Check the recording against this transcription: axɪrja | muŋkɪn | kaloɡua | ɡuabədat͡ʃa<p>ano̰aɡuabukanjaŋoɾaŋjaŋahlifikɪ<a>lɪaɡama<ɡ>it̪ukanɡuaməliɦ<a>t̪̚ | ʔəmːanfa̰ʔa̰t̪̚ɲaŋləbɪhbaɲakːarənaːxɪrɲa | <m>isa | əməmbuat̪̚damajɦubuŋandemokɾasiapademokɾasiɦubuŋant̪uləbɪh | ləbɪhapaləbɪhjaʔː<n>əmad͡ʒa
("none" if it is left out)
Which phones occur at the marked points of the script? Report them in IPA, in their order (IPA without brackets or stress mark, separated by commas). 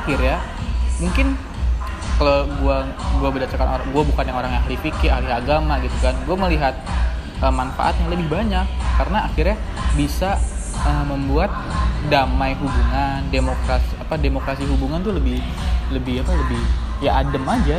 k, a, ɡ, a, b, d